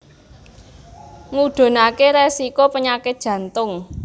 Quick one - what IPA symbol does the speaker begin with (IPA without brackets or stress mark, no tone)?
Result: ŋ